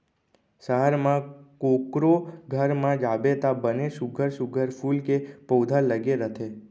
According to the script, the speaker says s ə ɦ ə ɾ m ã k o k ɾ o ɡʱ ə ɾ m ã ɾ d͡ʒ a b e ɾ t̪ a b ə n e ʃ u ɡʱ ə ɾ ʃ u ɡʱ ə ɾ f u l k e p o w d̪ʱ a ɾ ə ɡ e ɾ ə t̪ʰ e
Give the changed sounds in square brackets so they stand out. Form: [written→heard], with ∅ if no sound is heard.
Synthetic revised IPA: s ə ɦ ə ɾ m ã k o k ɾ o ɡʱ ə ɾ m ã [ɾ→∅] d͡ʒ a b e [ɾ→∅] t̪ a b ə n e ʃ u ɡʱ ə ɾ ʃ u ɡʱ ə ɾ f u l k e p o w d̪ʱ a [ɾ→l] ə ɡ e ɾ ə t̪ʰ e

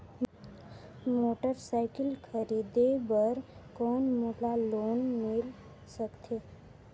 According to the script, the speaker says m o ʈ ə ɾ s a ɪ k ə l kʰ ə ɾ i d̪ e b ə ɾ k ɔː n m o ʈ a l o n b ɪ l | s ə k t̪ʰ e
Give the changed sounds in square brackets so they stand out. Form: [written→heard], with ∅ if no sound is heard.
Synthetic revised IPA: m o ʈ ə ɾ s a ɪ k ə l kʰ ə ɾ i d̪ e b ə ɾ k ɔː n m o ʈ a l o n [b→m] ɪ l | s ə k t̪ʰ e

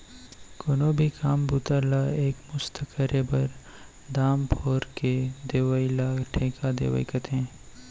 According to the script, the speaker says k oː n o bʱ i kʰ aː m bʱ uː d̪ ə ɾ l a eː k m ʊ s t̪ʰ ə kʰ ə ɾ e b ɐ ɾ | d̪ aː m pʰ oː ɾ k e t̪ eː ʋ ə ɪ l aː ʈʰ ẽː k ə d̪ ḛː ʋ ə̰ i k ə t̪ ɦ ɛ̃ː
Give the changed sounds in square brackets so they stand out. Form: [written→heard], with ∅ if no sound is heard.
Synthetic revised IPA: k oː n o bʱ i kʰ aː m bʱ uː [d̪→t̪] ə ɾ l a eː k m ʊ s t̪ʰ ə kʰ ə ɾ e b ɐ ɾ | d̪ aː m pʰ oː ɾ k e [t̪→d̪] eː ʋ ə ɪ l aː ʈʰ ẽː k [ə→a] d̪ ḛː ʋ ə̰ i k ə t̪ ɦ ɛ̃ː

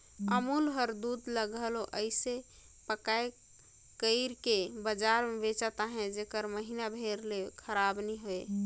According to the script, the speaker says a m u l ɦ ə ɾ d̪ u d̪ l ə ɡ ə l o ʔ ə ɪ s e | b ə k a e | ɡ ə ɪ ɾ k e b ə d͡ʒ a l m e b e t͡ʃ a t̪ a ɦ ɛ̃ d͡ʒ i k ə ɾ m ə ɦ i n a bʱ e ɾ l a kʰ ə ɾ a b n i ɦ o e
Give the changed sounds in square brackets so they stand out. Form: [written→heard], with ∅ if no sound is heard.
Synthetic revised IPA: [a→ə] m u l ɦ ə ɾ d̪ u d̪ l ə ɡ ə l o ʔ ə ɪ s e | [b→p] ə k a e | [ɡ→k] ə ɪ ɾ k e b ə d͡ʒ a [l→ɾ] m e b e t͡ʃ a t̪ a ɦ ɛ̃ d͡ʒ [i→e] k ə ɾ m ə ɦ i n a bʱ e ɾ l [a→e] kʰ ə ɾ a b n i ɦ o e

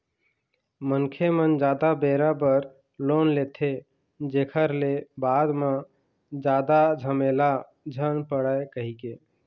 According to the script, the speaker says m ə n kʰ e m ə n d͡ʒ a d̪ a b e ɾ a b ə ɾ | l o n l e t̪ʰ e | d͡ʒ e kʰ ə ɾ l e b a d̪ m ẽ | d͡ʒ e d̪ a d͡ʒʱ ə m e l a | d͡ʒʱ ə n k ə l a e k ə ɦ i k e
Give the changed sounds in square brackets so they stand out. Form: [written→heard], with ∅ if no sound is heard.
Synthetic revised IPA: m ə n kʰ e m ə n d͡ʒ a d̪ a b e ɾ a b ə ɾ | l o n l e t̪ʰ e | d͡ʒ e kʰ ə ɾ l e b a d̪ m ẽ | d͡ʒ [e→a] d̪ a d͡ʒʱ ə m e l a | d͡ʒʱ ə n [k→p] ə [l→ɽ] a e k ə ɦ i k e

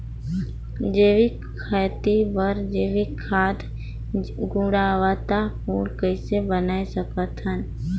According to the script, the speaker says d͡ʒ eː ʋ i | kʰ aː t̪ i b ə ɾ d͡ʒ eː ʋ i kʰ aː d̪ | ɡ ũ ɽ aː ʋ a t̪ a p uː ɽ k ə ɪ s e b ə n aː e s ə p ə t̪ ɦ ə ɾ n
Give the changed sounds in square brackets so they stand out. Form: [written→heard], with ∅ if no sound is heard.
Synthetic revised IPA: d͡ʒ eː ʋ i | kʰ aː t̪ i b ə ɾ d͡ʒ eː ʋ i kʰ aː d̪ | ɡ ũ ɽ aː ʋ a t̪ a p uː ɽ k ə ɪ s e b ə n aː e s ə [p→k] ə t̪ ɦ ə [ɾ→∅] n

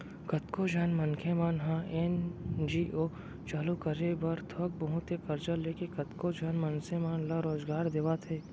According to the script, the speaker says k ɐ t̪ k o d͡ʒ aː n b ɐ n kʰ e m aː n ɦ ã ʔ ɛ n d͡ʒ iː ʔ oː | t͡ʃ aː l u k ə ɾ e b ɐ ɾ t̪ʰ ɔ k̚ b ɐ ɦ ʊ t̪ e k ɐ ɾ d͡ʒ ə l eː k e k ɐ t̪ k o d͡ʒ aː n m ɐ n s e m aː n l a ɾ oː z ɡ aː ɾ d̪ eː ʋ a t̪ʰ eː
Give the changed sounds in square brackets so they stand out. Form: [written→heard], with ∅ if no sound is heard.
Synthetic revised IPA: k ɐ t̪ k o d͡ʒ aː n [b→m] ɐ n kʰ e m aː n ɦ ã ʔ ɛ n d͡ʒ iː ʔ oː | t͡ʃ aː l u k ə ɾ e b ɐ ɾ t̪ʰ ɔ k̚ b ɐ ɦ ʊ t̪ e k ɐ ɾ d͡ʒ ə l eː k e k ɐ t̪ k o d͡ʒ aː n m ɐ n s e m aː n l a ɾ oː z ɡ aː ɾ d̪ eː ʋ a t̪ʰ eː

